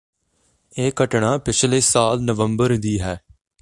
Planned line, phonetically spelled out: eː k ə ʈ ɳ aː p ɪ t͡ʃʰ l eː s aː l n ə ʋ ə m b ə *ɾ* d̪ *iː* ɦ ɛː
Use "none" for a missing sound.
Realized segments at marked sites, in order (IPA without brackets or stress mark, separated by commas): ɾ, iː